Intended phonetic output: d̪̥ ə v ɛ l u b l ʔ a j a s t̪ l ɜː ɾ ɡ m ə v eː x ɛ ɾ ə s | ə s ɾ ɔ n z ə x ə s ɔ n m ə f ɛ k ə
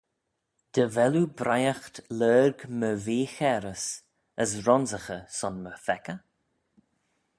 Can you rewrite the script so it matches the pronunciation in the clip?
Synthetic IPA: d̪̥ ə v ɛ l u b ɾ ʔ a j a x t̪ l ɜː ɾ ɡ m ə v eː x ɛ ɾ ə s | ə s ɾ ɔ n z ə x ə s ɔ n m ə f ɛ k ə